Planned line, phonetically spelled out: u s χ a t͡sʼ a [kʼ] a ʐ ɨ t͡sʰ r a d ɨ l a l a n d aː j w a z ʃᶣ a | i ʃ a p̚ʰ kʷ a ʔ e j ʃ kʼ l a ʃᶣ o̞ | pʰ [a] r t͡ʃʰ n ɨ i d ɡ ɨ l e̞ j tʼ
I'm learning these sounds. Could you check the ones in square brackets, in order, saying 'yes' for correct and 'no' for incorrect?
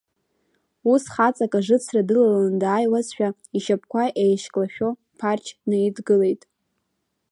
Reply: yes, yes

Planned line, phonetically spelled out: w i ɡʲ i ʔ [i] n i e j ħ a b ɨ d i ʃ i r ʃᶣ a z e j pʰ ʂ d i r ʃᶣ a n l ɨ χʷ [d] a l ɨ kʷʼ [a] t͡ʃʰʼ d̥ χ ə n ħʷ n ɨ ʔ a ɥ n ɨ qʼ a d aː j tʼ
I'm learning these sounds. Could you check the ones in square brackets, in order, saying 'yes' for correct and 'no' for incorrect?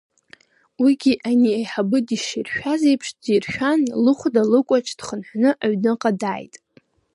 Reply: no, yes, yes

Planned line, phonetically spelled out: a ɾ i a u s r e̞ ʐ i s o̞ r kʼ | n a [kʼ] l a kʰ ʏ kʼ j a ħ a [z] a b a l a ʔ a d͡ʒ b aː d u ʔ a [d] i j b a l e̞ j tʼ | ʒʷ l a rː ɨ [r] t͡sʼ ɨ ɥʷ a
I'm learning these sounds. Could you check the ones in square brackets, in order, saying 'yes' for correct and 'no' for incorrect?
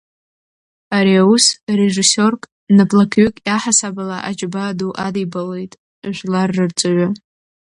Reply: no, no, yes, yes

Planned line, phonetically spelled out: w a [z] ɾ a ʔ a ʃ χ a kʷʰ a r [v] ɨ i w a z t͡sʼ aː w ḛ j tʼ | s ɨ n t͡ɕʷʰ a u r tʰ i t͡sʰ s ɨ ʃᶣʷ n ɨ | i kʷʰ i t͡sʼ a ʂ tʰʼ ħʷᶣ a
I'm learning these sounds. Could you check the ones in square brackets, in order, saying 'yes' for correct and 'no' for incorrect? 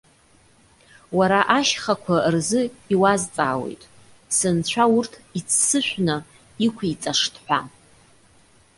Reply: no, no

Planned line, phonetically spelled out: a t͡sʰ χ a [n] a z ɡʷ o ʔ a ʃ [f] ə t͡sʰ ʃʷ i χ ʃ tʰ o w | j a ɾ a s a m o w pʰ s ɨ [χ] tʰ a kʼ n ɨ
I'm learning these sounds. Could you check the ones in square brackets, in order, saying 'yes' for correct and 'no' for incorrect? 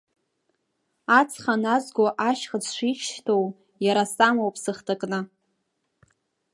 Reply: yes, no, yes

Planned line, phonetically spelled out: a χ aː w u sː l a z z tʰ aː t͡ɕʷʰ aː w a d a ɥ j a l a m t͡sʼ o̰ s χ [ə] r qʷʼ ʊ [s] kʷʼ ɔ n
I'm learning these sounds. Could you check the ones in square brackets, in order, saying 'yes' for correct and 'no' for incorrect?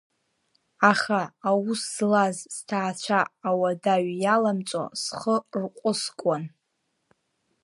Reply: yes, yes

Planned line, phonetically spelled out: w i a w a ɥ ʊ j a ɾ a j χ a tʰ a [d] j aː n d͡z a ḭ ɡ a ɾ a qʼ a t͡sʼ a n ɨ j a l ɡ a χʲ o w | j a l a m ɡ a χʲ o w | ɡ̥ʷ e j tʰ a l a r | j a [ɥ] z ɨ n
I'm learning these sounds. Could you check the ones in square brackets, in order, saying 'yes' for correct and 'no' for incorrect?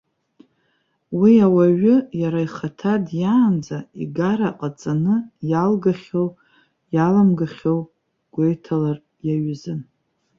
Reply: yes, yes

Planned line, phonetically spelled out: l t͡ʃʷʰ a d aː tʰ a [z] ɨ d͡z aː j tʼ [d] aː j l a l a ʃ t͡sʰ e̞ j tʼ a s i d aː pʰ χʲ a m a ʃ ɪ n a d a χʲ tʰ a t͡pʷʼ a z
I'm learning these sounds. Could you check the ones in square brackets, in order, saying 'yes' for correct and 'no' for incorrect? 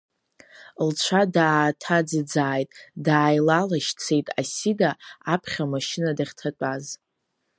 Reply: no, yes

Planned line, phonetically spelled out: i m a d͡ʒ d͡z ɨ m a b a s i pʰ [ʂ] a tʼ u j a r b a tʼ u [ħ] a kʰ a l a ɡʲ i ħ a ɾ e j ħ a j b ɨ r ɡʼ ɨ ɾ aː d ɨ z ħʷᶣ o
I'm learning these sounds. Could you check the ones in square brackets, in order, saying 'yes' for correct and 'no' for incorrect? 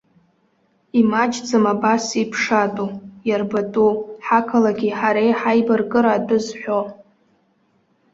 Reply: yes, yes

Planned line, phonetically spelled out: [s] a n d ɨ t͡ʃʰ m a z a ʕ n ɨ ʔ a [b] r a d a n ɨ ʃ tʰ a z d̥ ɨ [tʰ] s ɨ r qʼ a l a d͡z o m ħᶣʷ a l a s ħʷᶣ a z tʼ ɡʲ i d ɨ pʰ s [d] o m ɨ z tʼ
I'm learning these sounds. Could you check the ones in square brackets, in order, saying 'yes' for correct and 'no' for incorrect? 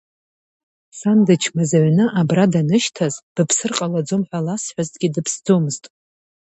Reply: yes, yes, no, no

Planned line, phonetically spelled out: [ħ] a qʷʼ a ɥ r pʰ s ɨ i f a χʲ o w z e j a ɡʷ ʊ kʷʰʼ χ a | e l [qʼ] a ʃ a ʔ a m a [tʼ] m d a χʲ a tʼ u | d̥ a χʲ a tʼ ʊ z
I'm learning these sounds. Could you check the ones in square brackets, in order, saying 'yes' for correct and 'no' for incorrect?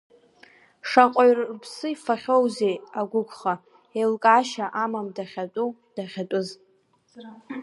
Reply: no, no, no

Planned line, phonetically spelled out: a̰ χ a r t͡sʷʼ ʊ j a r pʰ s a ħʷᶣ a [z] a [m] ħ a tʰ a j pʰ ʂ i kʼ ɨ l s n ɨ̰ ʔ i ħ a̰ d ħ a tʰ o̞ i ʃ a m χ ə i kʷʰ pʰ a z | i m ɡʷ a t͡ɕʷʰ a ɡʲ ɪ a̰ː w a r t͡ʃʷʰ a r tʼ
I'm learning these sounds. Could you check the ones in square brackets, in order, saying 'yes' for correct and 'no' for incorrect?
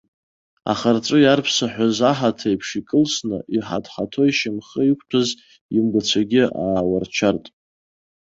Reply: yes, no

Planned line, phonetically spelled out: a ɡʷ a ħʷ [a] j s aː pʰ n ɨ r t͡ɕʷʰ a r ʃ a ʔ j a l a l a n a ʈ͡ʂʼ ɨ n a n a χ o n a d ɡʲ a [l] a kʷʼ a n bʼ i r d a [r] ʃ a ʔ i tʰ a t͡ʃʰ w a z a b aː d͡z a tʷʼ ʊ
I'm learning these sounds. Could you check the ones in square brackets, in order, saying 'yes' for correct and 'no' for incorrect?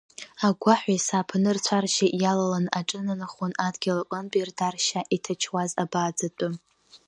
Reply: yes, yes, yes

